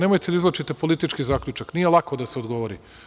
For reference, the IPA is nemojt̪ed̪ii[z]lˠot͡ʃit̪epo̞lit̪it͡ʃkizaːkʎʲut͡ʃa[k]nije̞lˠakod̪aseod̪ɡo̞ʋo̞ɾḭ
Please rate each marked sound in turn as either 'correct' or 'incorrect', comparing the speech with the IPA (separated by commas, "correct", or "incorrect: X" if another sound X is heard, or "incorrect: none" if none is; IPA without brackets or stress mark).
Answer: correct, correct